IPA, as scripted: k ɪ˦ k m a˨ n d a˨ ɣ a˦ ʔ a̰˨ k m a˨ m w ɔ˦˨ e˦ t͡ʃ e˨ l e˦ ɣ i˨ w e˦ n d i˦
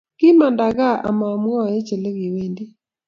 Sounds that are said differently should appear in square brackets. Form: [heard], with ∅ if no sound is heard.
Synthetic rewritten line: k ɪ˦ [∅] m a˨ n d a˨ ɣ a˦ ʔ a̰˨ [∅] m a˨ m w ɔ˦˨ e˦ t͡ʃ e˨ l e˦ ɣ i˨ w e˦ n d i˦